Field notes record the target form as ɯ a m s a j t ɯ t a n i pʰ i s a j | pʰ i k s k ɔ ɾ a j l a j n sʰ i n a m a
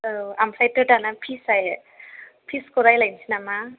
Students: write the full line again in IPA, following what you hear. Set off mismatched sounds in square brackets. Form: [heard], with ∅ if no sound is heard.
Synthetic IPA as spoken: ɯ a m s a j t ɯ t a n [a] pʰ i s a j | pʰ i [∅] s k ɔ ɾ a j l a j n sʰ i n a m a